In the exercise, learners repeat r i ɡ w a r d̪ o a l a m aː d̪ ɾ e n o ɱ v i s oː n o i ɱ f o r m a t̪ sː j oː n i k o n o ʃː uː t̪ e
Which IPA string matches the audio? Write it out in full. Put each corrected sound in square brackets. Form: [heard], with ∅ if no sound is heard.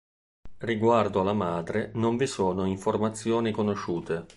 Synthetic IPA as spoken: r i ɡ w a r d̪ o a l a m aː d̪ ɾ e n o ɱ v i s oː n o i ɱ f o r m a t̪ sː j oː n i k o n o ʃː uː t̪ e